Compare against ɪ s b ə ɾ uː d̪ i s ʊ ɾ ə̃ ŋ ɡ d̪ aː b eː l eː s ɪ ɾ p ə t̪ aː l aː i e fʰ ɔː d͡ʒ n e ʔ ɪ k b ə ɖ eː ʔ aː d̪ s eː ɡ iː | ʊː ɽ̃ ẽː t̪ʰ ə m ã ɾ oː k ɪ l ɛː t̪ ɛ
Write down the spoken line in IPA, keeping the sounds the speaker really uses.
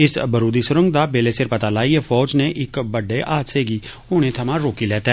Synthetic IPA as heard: ɪ s b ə ɾ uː d̪ i s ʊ ɾ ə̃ ŋ ɡ d̪ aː b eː l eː s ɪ ɾ p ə t̪ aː l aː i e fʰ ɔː d͡ʒ n e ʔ ɪ k b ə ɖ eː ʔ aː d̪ s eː ɡ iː | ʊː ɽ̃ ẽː t̪ʰ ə m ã ɾ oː k i l ɛː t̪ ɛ

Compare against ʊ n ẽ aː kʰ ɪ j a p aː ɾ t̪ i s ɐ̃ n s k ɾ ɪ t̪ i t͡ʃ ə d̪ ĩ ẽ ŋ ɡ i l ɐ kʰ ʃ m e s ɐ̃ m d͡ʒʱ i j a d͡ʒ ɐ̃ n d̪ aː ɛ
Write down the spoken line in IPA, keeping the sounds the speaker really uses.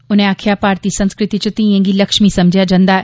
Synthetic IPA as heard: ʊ n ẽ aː kʰ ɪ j a p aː ɾ t̪ i s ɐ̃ n s k ɾ ɪ t̪ i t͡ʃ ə t̪ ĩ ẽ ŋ ɡ i l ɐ k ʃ m i s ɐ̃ m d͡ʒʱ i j a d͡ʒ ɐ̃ n d̪ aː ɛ

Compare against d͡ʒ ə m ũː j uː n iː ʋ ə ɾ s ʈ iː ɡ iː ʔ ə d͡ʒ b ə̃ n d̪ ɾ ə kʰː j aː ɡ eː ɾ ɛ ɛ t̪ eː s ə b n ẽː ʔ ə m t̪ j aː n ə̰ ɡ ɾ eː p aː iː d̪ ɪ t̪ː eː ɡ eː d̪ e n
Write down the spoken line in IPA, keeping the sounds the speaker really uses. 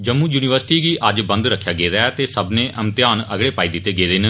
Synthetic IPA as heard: d͡ʒ ə m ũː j uː n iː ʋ ə ɾ s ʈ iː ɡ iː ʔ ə d͡ʒ b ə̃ n d̪ ɾ ə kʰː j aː ɡ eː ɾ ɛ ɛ t̪ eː s ə b n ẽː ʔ ə m t̪ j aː n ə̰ ɡ ɽ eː p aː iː d̪ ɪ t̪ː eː ɡ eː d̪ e n

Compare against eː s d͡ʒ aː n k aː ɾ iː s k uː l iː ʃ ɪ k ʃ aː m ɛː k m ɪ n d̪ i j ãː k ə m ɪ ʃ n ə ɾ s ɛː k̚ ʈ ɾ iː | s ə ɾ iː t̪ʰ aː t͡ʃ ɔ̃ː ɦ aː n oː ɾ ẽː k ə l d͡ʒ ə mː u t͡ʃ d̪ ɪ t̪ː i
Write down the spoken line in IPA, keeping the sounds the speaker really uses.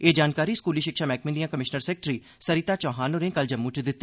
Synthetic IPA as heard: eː d͡ʒ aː n k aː ɾ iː s k uː l iː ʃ ɪ k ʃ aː m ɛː k m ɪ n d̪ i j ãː k ə m ɪ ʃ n ə ɾ s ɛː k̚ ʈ ɾ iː | s ə ɾ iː t̪ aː t͡ʃ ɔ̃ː ɦ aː n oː ɾ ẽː k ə l d͡ʒ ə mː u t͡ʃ d̪ ɪ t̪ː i

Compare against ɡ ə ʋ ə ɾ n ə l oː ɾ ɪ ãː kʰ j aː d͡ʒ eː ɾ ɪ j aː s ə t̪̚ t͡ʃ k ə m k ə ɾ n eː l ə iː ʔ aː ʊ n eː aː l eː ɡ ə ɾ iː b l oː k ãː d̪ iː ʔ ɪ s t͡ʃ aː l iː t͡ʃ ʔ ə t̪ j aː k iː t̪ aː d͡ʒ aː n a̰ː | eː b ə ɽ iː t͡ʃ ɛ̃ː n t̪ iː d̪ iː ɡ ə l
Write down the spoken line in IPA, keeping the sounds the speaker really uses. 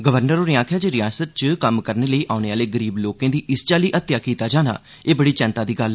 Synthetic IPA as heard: ɡ ə ʋ ə ɾ n ə ɾ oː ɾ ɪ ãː kʰ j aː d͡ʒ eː ɾ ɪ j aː s ə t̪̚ t͡ʃ k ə m k ə ɾ n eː l ə iː ʔ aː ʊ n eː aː l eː ɡ ə ɾ iː b l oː k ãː d̪ iː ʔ ɪ s t͡ʃ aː l iː ʔ ə t̪ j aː k iː t̪ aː d͡ʒ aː n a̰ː | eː b ə ɽ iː t͡ʃ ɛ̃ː n t̪ aː d̪ iː ɡ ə l

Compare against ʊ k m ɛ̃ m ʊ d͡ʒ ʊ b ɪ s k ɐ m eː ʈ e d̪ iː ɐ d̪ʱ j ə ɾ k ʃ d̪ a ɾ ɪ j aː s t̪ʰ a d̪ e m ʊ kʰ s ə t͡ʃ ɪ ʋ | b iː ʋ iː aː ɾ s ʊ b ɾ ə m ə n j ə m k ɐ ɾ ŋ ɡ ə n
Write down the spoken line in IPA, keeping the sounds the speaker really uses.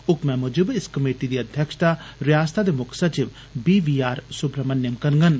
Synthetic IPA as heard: ʊ k m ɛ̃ m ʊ d͡ʒ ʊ b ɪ s k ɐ m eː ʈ i d̪ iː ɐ d̪ʱ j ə k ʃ t̪ a ɾ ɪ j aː s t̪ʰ a d̪ e m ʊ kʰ s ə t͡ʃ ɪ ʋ | b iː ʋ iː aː ɾ s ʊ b ɾ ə m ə n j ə m k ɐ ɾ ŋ ɡ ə n

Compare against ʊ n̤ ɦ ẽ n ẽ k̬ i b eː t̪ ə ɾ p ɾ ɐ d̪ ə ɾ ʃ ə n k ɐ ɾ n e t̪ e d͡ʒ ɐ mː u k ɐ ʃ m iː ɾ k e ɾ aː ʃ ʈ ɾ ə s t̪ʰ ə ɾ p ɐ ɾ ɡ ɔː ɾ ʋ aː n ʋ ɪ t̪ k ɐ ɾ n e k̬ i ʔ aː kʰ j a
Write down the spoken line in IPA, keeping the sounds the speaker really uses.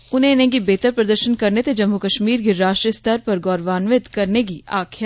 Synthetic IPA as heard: ʊ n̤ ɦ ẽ n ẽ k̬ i b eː t̪ ə ɾ p ɾ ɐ d̪ ə ɾ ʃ ə n k ɐ ɾ n e t̪ e d͡ʒ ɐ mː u k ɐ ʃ m iː ɾ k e ɾ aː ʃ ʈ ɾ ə s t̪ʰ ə ɾ p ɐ ɾ ɡ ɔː ɾ ʋ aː n ʋ ɪ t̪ k ɐ ɾ n e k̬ i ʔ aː kʰ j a

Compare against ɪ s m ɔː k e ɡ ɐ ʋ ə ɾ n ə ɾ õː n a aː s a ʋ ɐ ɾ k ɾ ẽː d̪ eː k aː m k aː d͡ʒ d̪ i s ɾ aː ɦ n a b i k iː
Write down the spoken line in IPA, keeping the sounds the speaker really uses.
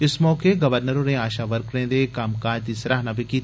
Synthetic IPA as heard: ɪ s m ɔː k e ɡ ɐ ʋ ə ɾ n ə ɾ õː n e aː ʃ a ʋ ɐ ɾ k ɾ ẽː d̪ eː k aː m k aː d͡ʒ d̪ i s ɾ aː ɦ n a b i k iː

